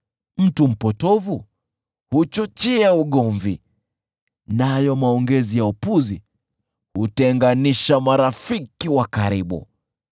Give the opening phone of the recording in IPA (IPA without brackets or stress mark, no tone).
m̩